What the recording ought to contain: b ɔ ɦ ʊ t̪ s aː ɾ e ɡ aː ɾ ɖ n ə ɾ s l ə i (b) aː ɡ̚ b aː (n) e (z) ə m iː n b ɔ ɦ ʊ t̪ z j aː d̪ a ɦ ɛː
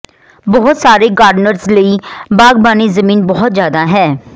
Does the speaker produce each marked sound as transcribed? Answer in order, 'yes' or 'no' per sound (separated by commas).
yes, yes, yes